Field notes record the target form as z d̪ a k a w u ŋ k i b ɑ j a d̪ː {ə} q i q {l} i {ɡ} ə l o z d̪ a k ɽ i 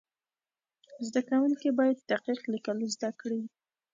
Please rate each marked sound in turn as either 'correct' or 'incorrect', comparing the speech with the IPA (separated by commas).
incorrect, correct, incorrect